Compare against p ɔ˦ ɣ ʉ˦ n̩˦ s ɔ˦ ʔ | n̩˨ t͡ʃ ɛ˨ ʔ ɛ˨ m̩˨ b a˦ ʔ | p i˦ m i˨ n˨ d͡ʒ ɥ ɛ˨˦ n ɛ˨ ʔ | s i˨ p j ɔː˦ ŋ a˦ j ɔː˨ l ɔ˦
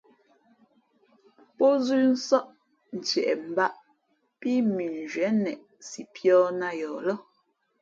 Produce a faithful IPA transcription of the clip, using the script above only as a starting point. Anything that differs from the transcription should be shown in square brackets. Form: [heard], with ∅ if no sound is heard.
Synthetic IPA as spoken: p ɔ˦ [z] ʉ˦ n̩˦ s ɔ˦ ʔ | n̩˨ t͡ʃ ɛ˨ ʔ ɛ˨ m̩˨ b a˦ ʔ | p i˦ m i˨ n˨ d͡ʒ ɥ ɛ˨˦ n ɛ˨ ʔ | s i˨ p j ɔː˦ [n] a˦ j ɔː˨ l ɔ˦